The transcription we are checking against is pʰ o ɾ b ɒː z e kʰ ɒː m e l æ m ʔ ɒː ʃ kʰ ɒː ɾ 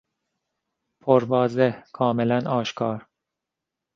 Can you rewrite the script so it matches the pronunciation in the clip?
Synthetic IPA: pʰ o ɾ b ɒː z e kʰ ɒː m e l æ n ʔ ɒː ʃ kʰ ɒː ɾ